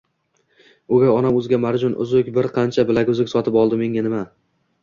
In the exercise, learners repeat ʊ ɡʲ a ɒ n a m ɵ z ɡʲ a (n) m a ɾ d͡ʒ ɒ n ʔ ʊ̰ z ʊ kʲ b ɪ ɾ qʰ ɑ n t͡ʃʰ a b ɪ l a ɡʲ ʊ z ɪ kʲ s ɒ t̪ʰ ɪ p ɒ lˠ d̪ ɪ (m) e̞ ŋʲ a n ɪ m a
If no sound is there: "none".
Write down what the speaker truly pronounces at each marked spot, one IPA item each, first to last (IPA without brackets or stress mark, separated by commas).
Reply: none, m